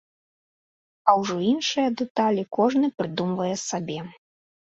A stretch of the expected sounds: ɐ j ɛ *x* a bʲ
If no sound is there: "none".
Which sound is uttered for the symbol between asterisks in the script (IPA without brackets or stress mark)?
s